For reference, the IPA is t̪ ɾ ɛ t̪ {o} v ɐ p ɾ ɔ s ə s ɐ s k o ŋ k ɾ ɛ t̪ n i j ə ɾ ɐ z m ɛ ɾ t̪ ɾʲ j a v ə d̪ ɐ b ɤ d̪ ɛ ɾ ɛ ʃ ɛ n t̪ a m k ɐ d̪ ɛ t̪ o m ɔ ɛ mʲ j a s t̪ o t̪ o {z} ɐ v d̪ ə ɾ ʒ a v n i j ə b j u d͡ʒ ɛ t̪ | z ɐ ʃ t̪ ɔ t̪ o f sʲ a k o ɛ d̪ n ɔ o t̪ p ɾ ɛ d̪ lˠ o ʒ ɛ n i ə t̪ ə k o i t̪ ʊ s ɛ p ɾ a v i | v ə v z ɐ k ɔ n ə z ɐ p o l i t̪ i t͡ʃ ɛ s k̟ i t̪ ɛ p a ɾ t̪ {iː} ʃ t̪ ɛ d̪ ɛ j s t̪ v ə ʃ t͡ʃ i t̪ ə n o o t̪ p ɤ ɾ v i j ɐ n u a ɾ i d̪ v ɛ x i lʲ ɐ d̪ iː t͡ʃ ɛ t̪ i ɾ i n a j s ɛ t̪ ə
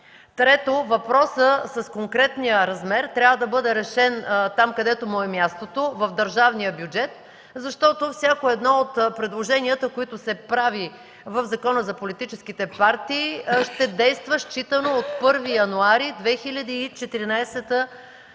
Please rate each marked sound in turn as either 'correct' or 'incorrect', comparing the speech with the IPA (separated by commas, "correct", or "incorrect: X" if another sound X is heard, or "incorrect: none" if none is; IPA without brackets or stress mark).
correct, incorrect: v, correct